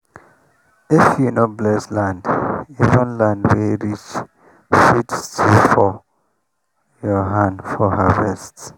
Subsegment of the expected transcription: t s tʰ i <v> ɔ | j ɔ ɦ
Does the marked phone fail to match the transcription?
yes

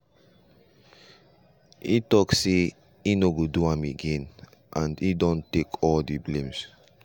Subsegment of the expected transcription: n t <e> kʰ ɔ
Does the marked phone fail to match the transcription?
no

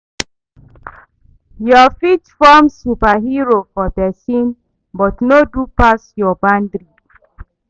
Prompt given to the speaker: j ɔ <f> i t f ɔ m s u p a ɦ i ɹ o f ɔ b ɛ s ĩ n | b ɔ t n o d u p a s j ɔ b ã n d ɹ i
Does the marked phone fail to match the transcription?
no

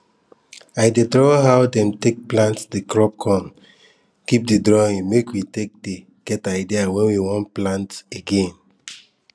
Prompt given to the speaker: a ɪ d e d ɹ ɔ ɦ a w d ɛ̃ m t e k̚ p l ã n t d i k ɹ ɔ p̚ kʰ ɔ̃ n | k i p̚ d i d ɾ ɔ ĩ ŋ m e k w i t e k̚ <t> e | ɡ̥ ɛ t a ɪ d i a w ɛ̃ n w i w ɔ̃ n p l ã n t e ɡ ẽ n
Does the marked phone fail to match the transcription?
yes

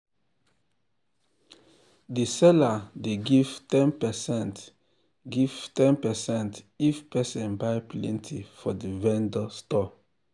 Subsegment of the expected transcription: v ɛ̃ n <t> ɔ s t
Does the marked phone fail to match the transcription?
yes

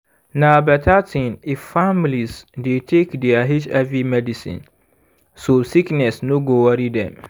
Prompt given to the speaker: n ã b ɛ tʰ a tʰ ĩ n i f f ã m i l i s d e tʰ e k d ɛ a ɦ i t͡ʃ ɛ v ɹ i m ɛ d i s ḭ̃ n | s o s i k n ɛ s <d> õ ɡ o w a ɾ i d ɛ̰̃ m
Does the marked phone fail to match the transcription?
yes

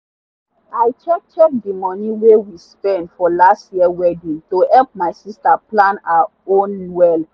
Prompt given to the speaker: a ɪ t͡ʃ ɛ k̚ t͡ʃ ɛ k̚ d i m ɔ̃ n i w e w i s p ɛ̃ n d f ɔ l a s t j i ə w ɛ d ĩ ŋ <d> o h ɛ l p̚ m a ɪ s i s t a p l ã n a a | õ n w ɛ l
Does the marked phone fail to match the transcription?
yes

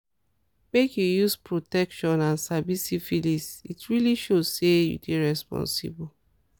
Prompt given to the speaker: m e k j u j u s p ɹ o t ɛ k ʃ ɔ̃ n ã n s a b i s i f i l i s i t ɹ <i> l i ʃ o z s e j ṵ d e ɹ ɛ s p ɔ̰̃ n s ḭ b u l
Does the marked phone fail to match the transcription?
no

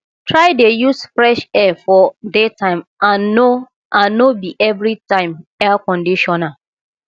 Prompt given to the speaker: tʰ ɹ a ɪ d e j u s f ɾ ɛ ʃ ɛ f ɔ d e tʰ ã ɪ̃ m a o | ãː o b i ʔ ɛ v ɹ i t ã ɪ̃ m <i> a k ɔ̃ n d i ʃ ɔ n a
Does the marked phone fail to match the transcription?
yes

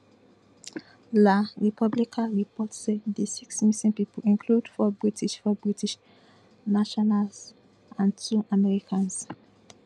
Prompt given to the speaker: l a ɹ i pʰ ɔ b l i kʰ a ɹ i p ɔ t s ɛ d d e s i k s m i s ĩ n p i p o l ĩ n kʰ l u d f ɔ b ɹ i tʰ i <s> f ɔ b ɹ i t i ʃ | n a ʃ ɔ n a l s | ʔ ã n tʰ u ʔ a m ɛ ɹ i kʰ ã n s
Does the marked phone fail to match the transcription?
yes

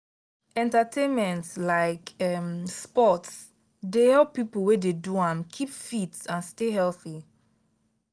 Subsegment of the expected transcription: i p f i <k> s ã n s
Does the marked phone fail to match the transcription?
yes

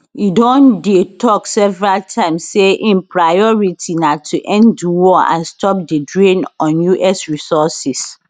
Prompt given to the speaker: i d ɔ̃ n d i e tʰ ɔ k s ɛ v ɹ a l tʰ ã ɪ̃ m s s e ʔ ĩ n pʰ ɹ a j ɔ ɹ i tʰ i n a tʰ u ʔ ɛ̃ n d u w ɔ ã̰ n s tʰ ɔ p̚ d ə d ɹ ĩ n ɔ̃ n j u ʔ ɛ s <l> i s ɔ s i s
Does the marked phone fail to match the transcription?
yes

